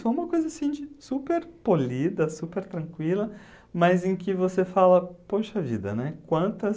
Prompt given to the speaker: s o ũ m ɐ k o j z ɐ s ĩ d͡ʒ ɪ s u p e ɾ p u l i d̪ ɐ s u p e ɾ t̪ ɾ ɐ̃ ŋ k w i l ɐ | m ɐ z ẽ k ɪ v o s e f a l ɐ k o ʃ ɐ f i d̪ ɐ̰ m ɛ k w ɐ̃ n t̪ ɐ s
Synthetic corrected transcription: s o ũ m ɐ k o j z ɐ s ĩ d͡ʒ ɪ s u p e ɾ p o l i d̪ ɐ s u p e ɾ t̪ ɾ ɐ̃ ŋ k w i l ɐ | m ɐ z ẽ k ɪ v o s e f a l ɐ p o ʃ ɐ v i d̪ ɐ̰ n ɛ k w ɐ̃ n t̪ ɐ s

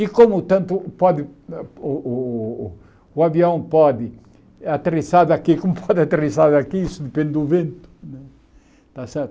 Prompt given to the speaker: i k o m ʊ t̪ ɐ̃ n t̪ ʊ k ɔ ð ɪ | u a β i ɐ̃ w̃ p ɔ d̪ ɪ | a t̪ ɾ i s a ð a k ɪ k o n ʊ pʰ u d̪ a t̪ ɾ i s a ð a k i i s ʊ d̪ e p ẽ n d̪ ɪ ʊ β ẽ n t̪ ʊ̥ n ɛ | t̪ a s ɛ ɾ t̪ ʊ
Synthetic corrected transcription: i k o m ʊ t̪ ɐ̃ n t̪ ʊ p ɔ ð ɪ | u a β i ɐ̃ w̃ p ɔ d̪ ɪ | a t̪ ɾ i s a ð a k i k o m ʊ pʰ ɔ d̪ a t̪ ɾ i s a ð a k i i s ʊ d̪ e p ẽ n d̪ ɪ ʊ v ẽ n t̪ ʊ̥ n ɛ | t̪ a s ɛ ɾ t̪ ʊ

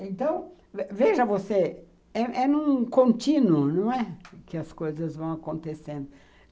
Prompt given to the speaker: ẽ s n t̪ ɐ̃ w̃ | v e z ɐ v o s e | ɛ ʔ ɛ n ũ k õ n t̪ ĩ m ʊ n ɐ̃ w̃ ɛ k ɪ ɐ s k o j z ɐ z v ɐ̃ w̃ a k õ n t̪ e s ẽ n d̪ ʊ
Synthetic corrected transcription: ẽ n t̪ ɐ̃ w̃ | v e ʒ ɐ v o s e | ɛ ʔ ɛ n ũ k õ n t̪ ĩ n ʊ n ɐ̃ w̃ ɛ k ɪ ɐ s k o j z ɐ z v ɐ̃ w̃ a k õ n t̪ e s ẽ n d̪ ʊ

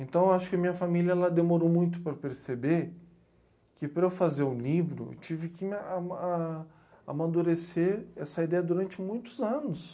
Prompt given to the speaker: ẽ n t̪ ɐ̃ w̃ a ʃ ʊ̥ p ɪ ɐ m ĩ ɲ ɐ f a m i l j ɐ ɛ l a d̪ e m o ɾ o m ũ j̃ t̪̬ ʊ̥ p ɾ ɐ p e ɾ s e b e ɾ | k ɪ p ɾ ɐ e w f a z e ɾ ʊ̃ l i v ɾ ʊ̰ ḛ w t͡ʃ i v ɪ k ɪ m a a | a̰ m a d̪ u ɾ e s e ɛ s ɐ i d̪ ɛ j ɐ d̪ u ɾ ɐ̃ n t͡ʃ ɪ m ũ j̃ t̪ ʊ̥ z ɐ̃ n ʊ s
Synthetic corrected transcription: ẽ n t̪ ɐ̃ w̃ a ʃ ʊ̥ k ɪ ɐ m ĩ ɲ ɐ f a m i l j ɐ ɛ l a d̪ e m o ɾ o m ũ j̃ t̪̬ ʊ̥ p ɾ ɐ p e ɾ s e b e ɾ | k ɪ p ɾ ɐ e w f a z e ɾ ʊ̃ l i v ɾ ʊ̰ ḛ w t͡ʃ i v ɪ k ɪ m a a | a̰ m a d̪ u ɾ e s e ɛ s ɐ i d̪ ɛ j ɐ d̪ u ɾ ɐ̃ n t͡ʃ ɪ m ũ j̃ t̪ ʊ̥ z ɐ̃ n ʊ s

